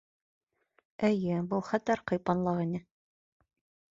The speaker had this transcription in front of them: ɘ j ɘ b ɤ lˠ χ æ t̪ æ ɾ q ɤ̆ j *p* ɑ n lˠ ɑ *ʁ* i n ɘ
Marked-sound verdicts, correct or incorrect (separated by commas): correct, correct